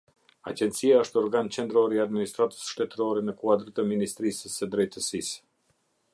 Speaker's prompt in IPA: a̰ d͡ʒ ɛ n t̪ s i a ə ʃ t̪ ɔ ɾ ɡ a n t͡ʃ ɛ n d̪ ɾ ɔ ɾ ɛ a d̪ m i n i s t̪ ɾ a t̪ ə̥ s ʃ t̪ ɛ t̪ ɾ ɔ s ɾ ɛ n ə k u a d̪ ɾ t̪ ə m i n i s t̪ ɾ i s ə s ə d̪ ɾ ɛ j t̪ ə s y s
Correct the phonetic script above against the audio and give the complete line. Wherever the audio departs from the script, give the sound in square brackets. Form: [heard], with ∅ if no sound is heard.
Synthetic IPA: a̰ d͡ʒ ɛ n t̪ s i a ə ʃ t̪ ɔ ɾ ɡ a n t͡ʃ ɛ n d̪ ɾ ɔ ɾ [i] a d̪ m i n i s t̪ ɾ a t̪ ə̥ s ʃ t̪ ɛ t̪ ɾ ɔ [∅] ɾ ɛ n ə k u a d̪ ɾ t̪ ə m i n i s t̪ ɾ i s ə s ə d̪ ɾ ɛ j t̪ ə s [i] s